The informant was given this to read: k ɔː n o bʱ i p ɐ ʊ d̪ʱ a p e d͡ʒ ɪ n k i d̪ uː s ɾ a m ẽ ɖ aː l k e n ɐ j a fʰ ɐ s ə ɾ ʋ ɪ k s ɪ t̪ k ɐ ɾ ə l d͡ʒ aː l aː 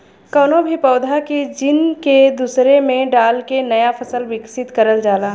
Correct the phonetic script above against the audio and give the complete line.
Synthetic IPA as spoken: k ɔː n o bʱ i p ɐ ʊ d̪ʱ a k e d͡ʒ ɪ n k e d̪ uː s ɾ e m ẽ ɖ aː l k e n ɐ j a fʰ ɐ s ə l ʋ ɪ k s ɪ t̪ k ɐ ɾ ə l d͡ʒ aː l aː